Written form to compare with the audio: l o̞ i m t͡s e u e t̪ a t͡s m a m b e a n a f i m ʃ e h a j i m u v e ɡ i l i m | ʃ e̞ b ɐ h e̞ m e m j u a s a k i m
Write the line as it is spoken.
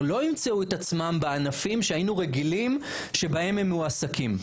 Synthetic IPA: l o̞ i m t͡s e u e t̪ a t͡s m a m b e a n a f i m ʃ e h a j i n u ʁ e ɡ i l i m | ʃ e̞ b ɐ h e̞ m e m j u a s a k i m